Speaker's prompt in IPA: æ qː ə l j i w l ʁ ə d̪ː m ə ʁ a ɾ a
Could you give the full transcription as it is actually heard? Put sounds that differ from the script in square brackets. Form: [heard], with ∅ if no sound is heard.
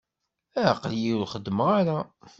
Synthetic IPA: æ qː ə l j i w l [χ] ə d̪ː m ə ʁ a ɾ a